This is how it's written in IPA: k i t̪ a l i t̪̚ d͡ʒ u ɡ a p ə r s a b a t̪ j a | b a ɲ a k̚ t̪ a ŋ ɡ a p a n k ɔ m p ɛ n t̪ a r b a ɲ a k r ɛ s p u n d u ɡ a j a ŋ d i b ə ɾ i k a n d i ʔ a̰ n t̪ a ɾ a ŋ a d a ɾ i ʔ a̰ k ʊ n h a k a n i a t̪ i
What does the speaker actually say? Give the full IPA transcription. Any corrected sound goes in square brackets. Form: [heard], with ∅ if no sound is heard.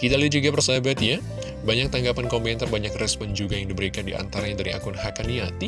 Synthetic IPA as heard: k i t̪ a l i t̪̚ d͡ʒ u ɡ a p ə r s a b a t̪ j a | b a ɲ a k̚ t̪ a ŋ ɡ a p a n k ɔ m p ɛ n t̪ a r b a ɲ a k r ɛ s p [ɔ] n [d͡ʒ] u ɡ a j a ŋ d i b ə ɾ i k a n d i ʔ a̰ n t̪ a ɾ a [ɲ] a d a ɾ i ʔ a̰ k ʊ n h a k a n i a t̪ i